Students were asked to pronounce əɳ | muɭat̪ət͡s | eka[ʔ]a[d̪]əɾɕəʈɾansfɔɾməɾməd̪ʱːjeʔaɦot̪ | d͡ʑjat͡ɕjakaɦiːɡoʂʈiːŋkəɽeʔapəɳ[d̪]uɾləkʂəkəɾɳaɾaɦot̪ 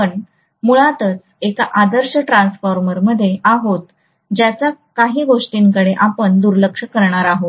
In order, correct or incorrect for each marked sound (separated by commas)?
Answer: correct, correct, correct